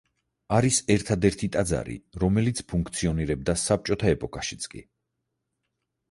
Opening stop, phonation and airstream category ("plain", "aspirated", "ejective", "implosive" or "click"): aspirated